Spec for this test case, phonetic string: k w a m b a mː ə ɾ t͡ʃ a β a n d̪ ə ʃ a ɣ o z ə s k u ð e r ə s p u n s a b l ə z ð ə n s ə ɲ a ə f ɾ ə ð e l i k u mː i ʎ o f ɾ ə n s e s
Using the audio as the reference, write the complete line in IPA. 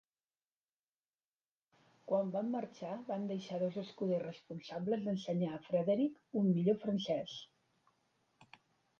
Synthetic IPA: k w a m b a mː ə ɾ t͡ʃ a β a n d̪ ə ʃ a ð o z ə s k u ð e r ə s p u n s a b l ə z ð ə n s ə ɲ a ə f ɾ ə ð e ɾ i k u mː i ʎ o f ɾ ə n s ɛ s